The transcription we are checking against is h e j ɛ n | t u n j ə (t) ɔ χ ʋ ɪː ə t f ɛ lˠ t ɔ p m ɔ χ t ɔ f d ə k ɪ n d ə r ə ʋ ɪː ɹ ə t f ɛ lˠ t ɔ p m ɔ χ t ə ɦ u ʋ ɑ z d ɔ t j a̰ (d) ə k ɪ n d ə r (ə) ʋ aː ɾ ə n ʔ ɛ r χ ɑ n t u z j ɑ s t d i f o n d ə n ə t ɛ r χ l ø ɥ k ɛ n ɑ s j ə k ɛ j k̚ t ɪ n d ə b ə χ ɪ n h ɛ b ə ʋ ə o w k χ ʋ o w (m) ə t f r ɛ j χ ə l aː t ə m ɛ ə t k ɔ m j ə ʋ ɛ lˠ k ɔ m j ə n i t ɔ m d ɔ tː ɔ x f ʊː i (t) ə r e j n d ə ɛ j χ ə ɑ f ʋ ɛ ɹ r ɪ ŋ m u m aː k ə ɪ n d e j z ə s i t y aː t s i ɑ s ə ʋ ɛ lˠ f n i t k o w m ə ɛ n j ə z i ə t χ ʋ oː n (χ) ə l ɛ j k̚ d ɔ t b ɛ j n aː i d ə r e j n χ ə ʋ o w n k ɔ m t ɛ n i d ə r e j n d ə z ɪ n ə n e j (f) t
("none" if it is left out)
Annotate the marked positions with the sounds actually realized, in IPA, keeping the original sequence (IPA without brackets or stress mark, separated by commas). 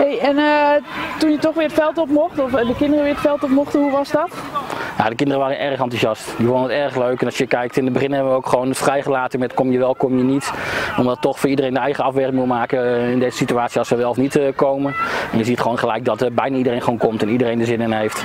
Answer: t, d, ə, n, d, χ, f